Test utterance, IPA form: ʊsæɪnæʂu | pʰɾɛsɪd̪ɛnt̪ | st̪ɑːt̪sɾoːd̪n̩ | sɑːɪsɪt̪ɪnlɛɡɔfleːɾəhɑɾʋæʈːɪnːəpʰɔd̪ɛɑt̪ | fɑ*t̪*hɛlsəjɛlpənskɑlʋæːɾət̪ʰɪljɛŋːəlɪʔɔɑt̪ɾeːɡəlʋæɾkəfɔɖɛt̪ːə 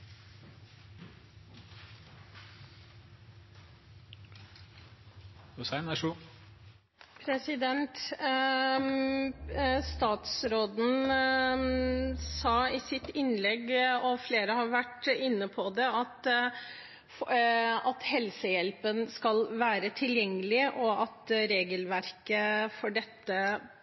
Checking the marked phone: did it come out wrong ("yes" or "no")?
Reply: no